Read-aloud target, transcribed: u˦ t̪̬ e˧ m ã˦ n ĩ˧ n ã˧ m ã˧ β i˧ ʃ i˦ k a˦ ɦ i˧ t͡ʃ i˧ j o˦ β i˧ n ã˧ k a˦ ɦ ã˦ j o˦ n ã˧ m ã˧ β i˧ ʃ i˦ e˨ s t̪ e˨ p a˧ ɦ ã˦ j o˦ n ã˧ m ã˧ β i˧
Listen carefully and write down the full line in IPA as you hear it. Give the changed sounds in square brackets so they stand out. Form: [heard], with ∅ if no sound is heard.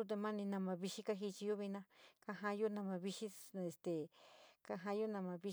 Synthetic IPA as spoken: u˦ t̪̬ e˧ m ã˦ n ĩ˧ n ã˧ m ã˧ β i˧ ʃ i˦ k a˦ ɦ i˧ t͡ʃ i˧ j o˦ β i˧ n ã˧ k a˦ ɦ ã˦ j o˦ n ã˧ m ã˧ β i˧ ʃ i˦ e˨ s t̪ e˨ [k] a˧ ɦ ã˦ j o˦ n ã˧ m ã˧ β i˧